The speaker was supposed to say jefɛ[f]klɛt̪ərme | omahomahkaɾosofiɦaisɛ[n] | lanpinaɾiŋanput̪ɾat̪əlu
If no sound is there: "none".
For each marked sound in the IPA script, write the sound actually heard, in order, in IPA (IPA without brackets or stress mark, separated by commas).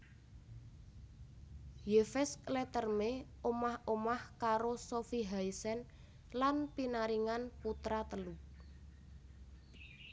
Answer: s, n